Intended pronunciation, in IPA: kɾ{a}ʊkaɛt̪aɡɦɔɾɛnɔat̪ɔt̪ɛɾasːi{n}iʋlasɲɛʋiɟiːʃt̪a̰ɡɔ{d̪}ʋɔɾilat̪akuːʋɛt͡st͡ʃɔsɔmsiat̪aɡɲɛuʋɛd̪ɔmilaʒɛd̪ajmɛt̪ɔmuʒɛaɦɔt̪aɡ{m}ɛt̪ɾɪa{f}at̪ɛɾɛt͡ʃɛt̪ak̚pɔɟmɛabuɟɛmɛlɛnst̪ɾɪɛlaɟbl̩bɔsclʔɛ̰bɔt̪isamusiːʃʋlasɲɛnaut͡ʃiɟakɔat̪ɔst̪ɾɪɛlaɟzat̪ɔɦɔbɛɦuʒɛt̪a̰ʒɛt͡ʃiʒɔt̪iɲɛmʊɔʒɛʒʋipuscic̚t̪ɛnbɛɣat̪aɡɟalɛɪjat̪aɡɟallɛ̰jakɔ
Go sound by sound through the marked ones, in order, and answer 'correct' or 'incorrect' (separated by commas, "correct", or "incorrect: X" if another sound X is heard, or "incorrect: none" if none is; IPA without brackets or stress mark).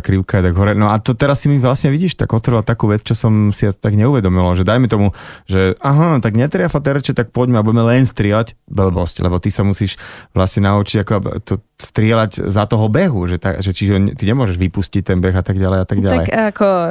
incorrect: i, incorrect: m, incorrect: t̪, incorrect: ɲ, correct